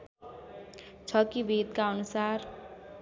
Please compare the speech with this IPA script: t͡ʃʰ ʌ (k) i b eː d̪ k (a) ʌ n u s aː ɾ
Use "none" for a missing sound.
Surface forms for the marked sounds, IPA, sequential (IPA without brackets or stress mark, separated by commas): k, a